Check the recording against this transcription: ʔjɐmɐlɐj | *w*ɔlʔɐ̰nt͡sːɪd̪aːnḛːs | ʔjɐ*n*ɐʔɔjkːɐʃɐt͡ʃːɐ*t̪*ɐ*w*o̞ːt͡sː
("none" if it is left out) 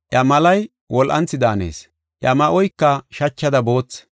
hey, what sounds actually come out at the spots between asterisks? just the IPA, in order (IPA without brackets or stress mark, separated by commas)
w, m, d̪, b